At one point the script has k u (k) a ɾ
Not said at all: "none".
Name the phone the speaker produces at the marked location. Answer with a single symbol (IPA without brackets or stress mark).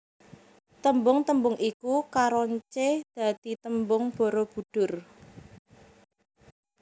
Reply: k